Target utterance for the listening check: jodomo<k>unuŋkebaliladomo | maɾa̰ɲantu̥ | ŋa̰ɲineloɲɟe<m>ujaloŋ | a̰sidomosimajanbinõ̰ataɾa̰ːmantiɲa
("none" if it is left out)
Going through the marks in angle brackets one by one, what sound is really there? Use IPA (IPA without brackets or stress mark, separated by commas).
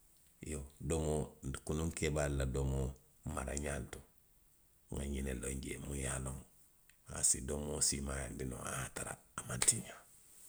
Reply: k, m